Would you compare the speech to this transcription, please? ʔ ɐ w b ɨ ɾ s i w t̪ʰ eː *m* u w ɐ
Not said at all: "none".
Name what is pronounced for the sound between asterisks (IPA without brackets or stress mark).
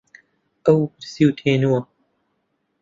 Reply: n